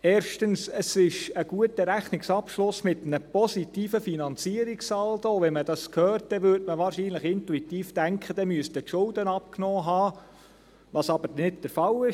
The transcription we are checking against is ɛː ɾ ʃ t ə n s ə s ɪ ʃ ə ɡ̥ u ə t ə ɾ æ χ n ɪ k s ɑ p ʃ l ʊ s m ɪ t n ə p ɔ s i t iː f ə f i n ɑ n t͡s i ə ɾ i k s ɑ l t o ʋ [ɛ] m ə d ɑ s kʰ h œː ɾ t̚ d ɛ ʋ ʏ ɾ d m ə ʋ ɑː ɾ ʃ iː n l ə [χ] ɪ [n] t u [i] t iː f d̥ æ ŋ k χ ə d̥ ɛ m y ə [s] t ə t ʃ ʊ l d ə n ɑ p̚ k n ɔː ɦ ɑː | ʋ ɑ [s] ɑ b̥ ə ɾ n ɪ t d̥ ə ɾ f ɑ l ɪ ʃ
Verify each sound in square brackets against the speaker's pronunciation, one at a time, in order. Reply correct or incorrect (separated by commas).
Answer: correct, correct, correct, correct, correct, correct